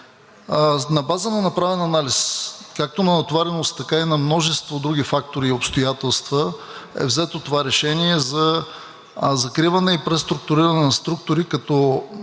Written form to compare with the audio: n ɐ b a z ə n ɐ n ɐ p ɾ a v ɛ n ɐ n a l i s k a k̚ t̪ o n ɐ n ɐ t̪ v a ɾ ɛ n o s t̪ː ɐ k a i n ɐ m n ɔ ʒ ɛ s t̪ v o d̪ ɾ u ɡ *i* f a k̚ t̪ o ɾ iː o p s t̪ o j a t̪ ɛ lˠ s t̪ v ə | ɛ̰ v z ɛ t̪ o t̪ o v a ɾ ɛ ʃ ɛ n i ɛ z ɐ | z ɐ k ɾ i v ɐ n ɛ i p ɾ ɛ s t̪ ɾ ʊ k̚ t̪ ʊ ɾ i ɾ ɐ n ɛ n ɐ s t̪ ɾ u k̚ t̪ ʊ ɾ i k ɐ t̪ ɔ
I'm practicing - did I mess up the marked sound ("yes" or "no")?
no